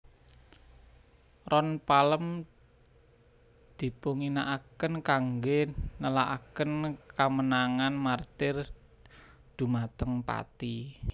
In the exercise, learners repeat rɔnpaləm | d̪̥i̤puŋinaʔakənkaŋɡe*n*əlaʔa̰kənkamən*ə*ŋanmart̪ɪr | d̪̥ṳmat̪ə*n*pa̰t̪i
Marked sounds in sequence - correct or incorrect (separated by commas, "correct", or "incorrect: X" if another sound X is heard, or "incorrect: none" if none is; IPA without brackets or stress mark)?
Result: correct, incorrect: a, incorrect: ŋ